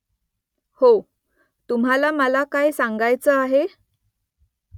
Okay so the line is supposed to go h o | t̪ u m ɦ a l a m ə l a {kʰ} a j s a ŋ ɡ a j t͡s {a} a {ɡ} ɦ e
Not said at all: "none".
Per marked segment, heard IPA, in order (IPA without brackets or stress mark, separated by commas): k, ə, none